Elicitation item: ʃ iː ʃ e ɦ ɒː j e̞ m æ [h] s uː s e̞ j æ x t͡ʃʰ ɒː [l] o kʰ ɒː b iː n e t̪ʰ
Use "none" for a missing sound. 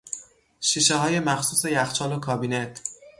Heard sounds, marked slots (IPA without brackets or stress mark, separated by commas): x, l